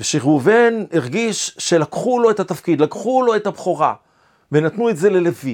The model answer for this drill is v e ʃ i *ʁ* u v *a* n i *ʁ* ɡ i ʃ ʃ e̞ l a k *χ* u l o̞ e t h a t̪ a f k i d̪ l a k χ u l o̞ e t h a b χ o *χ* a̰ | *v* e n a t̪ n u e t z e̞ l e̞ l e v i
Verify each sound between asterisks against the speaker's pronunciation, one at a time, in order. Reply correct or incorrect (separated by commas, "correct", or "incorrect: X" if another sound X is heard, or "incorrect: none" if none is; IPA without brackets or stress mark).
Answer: correct, incorrect: e, correct, correct, incorrect: ʁ, correct